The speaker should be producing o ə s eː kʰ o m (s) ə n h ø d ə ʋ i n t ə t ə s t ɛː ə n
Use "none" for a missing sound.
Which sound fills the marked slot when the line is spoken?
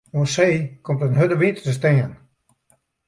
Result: t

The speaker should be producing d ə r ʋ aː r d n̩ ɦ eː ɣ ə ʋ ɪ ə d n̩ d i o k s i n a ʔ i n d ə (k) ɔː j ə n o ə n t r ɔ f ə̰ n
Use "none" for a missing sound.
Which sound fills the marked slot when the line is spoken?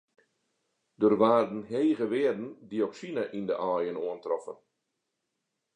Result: ʔ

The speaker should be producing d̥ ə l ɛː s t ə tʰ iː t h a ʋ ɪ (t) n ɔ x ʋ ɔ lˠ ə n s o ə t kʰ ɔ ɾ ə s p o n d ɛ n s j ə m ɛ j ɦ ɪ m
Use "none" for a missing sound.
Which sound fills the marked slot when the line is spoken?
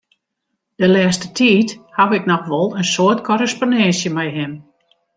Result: k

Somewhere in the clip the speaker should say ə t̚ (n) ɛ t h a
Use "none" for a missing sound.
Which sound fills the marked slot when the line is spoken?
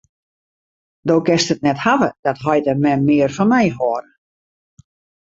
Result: n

